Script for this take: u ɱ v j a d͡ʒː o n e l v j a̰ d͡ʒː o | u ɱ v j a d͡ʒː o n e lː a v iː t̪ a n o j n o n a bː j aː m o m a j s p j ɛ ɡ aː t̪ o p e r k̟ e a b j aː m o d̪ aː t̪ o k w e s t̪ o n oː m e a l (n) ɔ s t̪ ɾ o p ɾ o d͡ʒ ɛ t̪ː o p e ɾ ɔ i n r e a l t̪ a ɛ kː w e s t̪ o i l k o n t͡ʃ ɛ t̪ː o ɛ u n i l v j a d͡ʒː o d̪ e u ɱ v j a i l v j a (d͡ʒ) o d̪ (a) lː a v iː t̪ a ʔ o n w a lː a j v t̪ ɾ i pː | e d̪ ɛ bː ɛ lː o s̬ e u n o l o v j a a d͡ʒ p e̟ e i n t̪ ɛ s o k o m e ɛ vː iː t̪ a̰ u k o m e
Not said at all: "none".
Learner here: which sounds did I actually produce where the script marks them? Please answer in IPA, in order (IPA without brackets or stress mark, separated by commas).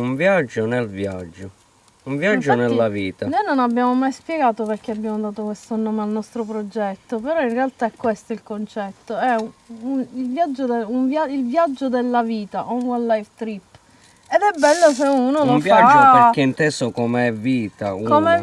n, d͡ʒː, e